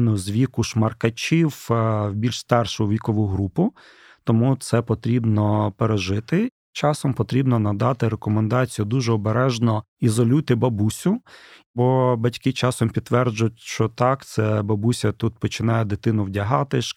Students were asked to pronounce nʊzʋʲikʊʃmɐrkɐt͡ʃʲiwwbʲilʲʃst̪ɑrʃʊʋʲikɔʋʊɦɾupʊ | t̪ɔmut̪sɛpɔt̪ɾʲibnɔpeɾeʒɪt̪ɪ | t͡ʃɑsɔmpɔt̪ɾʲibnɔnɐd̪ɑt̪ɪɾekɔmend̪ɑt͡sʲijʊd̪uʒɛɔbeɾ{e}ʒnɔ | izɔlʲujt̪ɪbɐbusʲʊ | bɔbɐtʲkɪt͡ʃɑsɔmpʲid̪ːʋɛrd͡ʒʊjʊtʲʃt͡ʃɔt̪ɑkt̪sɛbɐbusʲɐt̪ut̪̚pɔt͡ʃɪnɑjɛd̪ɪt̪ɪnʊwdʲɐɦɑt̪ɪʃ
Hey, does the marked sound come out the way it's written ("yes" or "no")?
no